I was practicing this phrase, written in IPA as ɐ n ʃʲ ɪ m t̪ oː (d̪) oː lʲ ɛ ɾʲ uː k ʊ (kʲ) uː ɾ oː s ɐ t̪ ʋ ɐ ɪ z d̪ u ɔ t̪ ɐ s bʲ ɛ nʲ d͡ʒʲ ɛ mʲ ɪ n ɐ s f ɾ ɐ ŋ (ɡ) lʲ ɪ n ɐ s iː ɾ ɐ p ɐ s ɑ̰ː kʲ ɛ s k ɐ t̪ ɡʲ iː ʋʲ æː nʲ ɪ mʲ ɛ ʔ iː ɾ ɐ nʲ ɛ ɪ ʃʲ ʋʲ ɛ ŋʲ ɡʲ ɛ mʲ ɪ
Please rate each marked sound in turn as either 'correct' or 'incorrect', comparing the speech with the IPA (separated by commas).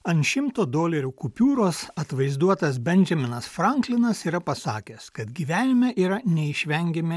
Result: correct, incorrect, incorrect